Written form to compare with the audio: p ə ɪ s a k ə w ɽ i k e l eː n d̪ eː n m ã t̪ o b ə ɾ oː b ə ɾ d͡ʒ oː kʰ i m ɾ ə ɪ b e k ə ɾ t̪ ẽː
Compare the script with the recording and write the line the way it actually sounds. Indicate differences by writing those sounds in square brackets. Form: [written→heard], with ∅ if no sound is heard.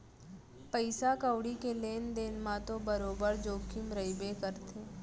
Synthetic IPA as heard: p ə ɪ s a k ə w ɽ i k e l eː n d̪ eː n m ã t̪ o b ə ɾ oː b ə ɾ d͡ʒ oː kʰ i m ɾ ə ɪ b e k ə ɾ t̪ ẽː